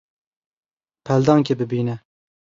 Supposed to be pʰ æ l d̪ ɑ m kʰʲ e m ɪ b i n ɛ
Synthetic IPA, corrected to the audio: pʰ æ l d̪ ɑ ŋ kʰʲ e b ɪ b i n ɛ